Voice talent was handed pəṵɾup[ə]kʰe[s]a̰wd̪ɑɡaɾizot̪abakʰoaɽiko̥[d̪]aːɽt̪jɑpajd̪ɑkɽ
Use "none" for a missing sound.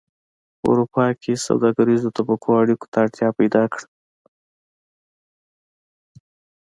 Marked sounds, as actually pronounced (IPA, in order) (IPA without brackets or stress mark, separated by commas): ɑ, s, t̪